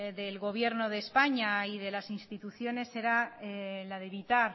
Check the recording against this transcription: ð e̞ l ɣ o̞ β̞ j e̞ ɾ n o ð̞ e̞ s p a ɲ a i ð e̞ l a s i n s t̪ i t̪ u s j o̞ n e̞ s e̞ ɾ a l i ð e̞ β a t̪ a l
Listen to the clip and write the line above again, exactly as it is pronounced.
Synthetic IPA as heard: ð e̞ l ɣ o̞ β̞ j e̞ ɾ n o ð̞ e̞ s p a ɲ a i ð e̞ l a s i n s t̪ i t̪ u θ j o̞ n e̞ s e̞ ɾ a l a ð e̞ β i t̪ a ɾ

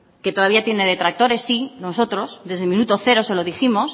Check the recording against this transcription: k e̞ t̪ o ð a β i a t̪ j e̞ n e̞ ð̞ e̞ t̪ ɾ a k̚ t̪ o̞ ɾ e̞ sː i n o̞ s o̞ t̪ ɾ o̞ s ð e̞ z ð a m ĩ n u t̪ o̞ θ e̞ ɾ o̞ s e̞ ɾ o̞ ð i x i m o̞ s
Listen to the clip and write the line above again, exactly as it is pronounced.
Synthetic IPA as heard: k e̞ t̪ o ð a β i a t̪ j e̞ n e̞ ð̞ e̞ t̪ ɾ a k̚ t̪ o̞ ɾ e̞ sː i n o̞ s o̞ t̪ ɾ o̞ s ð e̞ z ð e m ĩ n u t̪ o̞ θ e̞ ɾ o̞ s e̞ l o̞ ð i x i m o̞ s

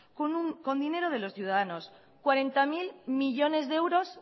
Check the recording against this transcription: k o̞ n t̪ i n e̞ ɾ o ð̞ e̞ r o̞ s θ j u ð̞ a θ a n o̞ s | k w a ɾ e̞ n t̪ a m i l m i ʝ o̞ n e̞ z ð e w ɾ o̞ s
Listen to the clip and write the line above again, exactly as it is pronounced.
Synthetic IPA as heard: k o̞ n d̪ i n e̞ ɾ o ð̞ e̞ l o̞ s θ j u ð̞ a ð a n o̞ s | k w a ɾ e̞ n t̪ a m i l m i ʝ o̞ n e̞ z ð e w ɾ o̞ s

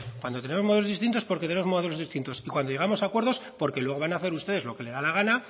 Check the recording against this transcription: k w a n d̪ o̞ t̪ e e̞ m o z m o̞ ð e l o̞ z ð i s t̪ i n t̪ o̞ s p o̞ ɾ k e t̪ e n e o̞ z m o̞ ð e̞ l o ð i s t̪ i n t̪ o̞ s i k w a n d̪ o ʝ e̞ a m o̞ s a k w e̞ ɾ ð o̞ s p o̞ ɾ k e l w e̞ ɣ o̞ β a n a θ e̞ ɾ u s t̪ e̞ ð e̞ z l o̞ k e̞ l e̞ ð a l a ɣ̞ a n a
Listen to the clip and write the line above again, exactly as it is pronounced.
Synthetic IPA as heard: k w a n d̪ o̞ t̪ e e̞ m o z m o̞ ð e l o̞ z ð i s t̪ i n t̪ o̞ s p o̞ ɾ k e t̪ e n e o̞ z m o̞ ð e̞ l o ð i s t̪ i n t̪ o̞ s i k w a n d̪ o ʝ e̞ a m o̞ s a k w e̞ ɾ ð o̞ s p o̞ ɾ k e l w e̞ ɣ o̞ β a n a θ e̞ ɾ u s t̪ e̞ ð e̞ z l o̞ k e̞ l e̞ ð a l a ɣ̞ a n a

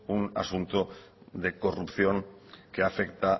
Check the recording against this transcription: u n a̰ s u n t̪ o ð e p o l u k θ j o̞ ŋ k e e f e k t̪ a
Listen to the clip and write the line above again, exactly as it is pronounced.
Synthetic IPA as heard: u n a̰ s u n t̪ o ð e k o r u p θ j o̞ ŋ k e a f e k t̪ a

